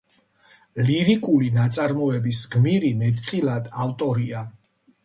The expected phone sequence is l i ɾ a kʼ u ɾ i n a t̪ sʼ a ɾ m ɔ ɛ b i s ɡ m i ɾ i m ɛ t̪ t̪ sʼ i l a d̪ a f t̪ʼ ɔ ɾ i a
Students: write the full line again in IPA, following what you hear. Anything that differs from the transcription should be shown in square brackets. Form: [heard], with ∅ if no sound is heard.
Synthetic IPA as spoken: l i ɾ [i] kʼ u [l] i n a t̪ sʼ a ɾ m ɔ ɛ b i s ɡ m i ɾ i m ɛ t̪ t̪ sʼ i l a d̪ a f t̪ʼ ɔ ɾ i a